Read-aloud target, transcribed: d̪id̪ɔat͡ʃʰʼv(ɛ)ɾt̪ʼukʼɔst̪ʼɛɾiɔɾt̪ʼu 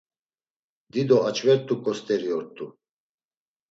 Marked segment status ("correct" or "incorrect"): correct